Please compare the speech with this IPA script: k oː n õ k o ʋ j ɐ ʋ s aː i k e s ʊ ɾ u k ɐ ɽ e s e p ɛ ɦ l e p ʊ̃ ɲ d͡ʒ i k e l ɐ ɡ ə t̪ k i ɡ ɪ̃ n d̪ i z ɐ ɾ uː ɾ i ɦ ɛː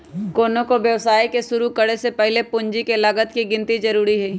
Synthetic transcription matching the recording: k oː n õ k o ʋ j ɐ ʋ s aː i k e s ʊ ɾ u k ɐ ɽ e s e p ɛ ɦ l e p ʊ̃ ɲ d͡ʒ i k e l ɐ ɡ ə t̪ k i ɡ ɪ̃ n t̪ i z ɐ ɾ uː ɾ i ɦ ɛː